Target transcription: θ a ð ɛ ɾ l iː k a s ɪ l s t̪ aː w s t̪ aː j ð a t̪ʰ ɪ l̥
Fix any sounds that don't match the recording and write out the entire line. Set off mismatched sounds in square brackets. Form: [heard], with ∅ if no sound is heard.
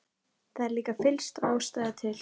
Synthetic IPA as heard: θ a ð ɛ ɾ l iː k a [f] ɪ l s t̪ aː w s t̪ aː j ð a t̪ʰ ɪ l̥